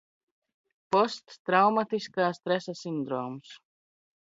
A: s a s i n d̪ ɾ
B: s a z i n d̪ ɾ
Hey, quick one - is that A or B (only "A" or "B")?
A